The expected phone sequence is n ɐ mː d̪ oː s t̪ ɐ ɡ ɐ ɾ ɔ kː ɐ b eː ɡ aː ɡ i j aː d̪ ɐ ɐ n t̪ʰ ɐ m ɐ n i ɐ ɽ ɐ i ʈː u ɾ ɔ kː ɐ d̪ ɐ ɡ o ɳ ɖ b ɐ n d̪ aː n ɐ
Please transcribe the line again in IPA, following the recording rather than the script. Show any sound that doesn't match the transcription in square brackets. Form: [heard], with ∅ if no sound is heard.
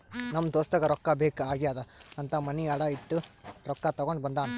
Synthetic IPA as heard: n ɐ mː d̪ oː s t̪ ɐ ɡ ɐ ɾ ɔ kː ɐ b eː [k] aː ɡ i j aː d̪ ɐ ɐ n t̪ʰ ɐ m ɐ n i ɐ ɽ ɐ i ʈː u ɾ ɔ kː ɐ [t̪] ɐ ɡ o ɳ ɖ b ɐ n d̪ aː n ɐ